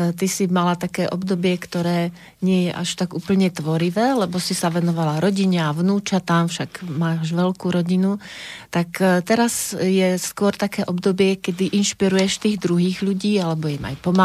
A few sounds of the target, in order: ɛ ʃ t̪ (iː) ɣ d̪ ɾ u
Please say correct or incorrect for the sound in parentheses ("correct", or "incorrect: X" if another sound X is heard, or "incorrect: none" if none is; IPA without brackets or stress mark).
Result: correct